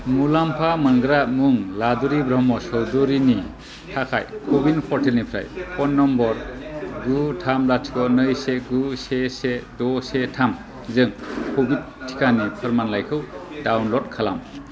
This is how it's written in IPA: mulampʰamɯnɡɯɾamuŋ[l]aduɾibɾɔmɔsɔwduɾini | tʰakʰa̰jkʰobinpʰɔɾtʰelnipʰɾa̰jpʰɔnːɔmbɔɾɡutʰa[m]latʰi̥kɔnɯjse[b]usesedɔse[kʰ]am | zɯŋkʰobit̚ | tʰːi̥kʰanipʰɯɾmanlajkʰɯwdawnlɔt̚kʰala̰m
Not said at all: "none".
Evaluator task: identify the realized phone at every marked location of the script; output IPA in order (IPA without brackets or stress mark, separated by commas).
l, m, ɡ, tʰ